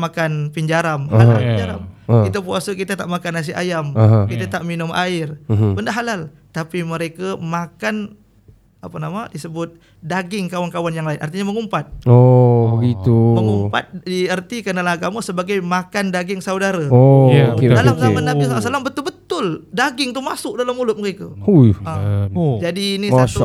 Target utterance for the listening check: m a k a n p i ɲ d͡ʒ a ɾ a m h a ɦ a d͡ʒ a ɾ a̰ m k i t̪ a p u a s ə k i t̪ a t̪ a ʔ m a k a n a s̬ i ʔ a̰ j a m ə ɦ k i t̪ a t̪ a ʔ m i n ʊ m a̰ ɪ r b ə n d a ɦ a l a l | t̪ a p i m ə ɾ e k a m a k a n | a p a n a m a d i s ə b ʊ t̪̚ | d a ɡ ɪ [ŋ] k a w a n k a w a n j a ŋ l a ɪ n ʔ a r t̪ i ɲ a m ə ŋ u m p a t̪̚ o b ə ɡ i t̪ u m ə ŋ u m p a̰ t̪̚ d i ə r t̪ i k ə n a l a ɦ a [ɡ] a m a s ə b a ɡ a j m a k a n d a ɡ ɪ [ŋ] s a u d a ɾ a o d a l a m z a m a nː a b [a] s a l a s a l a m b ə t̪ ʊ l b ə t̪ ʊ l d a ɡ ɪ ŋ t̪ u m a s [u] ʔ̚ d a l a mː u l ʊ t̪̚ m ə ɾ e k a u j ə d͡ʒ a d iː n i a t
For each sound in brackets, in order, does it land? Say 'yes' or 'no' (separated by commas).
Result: yes, yes, yes, no, no